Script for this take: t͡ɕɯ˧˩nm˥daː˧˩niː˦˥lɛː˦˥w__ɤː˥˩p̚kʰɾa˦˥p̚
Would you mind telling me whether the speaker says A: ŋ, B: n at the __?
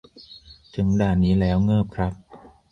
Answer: A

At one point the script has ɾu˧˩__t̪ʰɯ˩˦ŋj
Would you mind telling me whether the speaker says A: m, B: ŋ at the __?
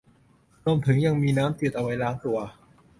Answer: A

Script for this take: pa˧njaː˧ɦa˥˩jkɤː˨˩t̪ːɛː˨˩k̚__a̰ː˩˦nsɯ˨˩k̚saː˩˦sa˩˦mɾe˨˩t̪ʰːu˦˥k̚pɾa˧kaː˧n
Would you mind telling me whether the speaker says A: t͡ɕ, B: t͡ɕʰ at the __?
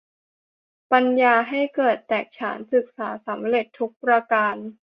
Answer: B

